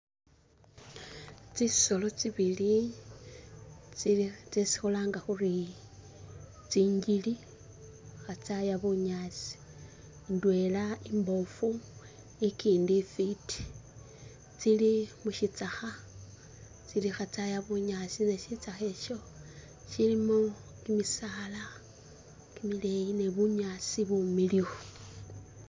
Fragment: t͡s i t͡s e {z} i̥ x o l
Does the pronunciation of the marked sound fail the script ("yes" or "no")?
yes